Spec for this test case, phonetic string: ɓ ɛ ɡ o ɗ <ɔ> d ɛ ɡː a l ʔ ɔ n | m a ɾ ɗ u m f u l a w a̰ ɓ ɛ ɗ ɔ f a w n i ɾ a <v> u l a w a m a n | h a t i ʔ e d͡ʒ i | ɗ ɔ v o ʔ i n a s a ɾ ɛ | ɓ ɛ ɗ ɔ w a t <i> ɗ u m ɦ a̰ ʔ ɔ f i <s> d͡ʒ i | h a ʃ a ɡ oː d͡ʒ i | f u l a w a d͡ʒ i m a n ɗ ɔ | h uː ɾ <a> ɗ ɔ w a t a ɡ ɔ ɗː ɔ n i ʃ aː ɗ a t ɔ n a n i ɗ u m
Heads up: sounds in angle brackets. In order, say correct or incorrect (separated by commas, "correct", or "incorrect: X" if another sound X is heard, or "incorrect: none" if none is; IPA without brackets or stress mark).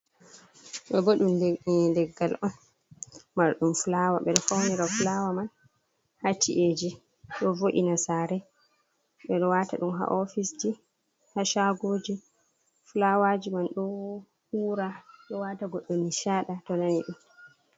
incorrect: u, incorrect: f, incorrect: a, correct, correct